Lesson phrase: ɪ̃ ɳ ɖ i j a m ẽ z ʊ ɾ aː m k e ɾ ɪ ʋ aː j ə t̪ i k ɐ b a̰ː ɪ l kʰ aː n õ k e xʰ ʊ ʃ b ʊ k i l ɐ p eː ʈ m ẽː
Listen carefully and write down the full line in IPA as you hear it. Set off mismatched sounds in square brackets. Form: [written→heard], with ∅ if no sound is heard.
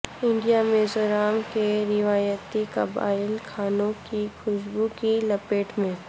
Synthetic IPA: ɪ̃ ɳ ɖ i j a m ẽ z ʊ ɾ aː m k e ɾ ɪ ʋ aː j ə t̪ i k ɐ b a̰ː ɪ l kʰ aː n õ k [e→i] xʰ ʊ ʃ b [ʊ→u] k i l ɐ p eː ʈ m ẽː